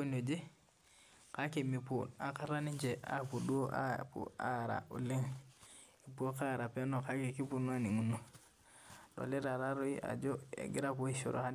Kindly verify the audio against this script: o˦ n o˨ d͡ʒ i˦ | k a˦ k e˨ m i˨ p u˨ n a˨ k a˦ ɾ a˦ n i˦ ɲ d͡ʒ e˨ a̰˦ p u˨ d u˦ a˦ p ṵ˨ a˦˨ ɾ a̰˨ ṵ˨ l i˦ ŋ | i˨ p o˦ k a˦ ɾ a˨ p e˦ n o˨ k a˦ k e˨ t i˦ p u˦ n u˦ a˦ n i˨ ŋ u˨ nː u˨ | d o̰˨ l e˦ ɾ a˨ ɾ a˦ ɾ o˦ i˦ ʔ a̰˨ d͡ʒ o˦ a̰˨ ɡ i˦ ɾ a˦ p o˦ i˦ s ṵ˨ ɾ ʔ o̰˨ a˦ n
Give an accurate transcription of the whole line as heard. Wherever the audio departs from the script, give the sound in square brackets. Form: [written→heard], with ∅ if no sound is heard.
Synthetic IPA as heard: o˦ n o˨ d͡ʒ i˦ | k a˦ k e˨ m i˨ p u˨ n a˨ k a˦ ɾ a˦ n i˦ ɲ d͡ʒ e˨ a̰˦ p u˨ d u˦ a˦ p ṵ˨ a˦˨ ɾ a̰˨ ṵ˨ l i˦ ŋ | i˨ p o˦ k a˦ ɾ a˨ p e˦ n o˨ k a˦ k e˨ [t→k] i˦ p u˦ n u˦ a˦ n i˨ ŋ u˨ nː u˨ | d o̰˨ l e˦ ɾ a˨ ɾ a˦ ɾ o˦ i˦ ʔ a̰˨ d͡ʒ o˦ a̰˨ ɡ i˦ ɾ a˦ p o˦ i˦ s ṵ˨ ɾ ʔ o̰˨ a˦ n